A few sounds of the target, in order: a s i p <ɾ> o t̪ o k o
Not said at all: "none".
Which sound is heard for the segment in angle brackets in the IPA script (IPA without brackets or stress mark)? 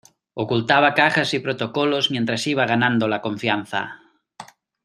ɾ